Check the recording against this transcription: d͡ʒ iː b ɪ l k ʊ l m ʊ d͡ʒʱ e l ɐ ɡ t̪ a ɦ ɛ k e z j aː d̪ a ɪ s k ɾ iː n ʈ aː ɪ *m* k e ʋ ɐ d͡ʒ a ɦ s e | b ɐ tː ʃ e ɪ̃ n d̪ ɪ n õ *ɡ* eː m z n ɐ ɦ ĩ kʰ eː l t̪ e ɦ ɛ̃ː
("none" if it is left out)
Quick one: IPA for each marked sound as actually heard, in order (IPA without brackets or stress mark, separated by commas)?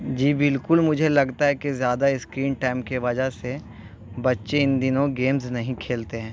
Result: m, ɡ